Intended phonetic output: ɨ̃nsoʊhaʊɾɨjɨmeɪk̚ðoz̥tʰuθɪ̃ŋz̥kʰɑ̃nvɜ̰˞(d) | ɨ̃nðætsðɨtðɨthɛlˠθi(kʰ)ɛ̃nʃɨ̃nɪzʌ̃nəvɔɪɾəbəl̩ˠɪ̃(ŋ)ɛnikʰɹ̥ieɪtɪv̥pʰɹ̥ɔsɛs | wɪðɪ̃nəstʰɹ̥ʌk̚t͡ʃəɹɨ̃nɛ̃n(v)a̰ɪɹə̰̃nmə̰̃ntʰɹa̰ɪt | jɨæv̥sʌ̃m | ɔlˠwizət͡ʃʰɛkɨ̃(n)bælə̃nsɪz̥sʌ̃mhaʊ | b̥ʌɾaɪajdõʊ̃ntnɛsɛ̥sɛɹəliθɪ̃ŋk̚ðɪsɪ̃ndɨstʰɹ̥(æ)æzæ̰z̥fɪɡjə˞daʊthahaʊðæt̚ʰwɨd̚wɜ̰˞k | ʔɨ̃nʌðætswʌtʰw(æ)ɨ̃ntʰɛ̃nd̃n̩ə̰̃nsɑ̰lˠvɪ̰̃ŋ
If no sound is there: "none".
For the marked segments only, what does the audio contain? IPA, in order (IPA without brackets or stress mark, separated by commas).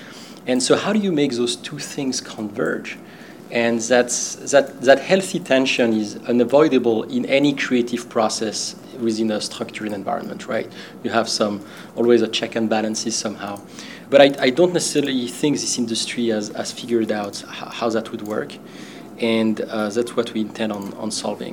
d͡ʒ, tʰ, n, v, n, i, i